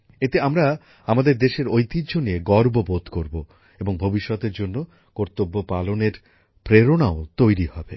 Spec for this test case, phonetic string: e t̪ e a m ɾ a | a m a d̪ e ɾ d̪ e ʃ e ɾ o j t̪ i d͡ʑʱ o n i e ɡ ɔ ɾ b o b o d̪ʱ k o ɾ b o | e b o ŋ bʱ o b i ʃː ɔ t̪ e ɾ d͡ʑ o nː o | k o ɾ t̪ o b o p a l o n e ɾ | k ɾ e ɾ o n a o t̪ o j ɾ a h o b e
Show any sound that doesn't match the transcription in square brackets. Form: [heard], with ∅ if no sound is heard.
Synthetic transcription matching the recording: e t̪ e a m ɾ a | a m a d̪ e ɾ d̪ e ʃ e ɾ o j t̪ i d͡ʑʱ o n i e ɡ ɔ ɾ b o b o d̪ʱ k o ɾ b o | e b o ŋ bʱ o b i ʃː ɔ t̪ e ɾ d͡ʑ o nː o | k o ɾ t̪ o [bː] o p a l o n e ɾ | [p] ɾ e ɾ o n a o t̪ o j ɾ [i] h [ɔ] b e